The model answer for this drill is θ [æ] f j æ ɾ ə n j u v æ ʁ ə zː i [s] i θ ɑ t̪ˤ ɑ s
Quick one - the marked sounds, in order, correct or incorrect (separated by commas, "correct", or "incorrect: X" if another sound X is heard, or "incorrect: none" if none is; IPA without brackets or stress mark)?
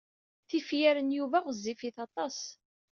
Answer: incorrect: i, incorrect: f